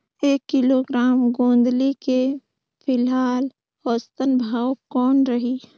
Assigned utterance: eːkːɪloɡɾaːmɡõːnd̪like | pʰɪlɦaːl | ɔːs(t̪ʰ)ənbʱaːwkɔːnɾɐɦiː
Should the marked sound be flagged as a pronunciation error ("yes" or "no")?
yes